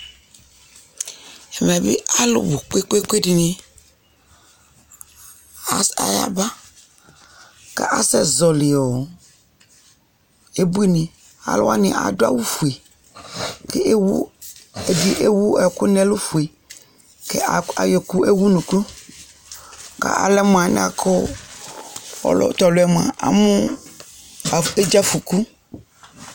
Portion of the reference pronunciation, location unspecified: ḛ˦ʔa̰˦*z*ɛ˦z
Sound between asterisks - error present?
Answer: yes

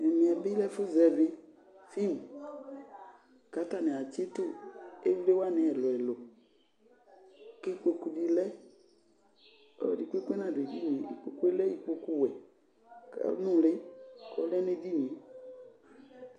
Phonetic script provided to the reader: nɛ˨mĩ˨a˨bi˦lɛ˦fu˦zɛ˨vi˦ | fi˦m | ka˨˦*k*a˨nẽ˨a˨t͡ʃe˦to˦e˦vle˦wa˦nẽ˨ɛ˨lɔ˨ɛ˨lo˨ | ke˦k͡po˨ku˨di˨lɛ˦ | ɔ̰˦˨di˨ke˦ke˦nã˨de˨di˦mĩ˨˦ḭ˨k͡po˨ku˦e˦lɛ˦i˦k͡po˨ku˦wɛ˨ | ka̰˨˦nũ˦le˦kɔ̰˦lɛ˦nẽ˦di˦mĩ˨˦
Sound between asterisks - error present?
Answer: yes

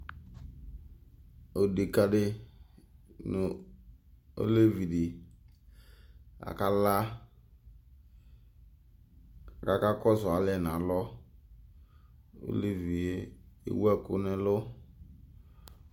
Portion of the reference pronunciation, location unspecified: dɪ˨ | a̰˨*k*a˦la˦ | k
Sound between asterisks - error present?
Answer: no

